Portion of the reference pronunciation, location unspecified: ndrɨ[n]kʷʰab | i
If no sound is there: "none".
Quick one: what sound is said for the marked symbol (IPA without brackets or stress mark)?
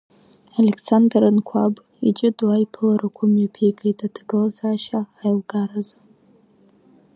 n